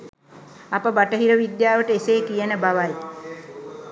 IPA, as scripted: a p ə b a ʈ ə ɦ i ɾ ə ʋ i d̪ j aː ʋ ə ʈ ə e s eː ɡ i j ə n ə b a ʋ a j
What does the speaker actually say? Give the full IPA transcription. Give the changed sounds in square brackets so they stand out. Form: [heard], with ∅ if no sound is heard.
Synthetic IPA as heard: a p ə b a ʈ ə ɦ i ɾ ə ʋ i d̪ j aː ʋ ə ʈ ə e s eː [k] i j ə n ə b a ʋ a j